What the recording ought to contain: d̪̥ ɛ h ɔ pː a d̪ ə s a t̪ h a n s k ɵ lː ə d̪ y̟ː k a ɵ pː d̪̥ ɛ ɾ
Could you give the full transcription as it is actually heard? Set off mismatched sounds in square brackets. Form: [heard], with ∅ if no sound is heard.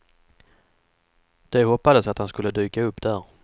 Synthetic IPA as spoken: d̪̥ ɛ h ɔ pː a d̪ ə s a t̪ h a n s k ɵ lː ə d̪ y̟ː k a ɵ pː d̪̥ [æ] ɾ